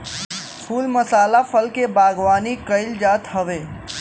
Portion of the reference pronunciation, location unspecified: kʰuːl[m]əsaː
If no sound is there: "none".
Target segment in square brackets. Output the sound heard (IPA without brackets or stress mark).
m